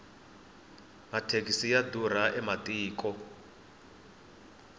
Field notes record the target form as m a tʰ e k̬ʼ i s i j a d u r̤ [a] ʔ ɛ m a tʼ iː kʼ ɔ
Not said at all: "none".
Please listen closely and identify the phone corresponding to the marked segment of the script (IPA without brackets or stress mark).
a